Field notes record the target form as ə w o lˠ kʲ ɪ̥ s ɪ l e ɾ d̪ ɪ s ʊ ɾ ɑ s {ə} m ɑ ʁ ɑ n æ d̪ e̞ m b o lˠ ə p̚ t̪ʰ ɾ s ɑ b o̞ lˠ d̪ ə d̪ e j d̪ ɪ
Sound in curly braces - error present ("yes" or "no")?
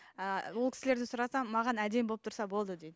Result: yes